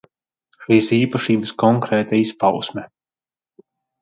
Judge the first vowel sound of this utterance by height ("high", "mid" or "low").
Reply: high